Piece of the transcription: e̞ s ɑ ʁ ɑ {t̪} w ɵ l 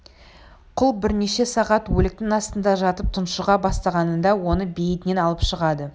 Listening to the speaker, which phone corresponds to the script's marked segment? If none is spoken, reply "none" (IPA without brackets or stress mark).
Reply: t̪